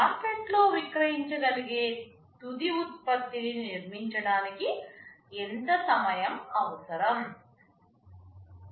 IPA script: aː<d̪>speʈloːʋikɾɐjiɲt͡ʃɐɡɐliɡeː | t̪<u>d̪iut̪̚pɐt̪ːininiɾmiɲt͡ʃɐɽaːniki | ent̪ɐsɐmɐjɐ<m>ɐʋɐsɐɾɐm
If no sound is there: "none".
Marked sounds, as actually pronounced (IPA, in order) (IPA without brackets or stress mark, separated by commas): none, u, m